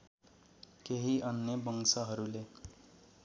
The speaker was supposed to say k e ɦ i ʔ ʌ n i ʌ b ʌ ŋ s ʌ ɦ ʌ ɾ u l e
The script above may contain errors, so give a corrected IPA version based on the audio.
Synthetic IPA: k e ɦ i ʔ ʌ n j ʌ b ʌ ŋ s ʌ ɦ ʌ ɾ u l e